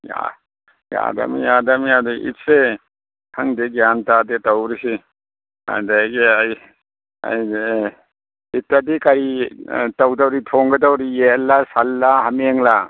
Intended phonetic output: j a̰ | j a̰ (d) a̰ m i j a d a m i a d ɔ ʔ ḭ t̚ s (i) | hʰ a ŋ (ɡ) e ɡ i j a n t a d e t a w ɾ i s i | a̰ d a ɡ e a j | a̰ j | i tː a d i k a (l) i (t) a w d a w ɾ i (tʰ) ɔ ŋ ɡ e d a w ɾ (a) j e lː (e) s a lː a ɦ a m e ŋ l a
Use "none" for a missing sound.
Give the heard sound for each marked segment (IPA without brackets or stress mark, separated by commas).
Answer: d, e, d, ɾ, t, tʰ, i, a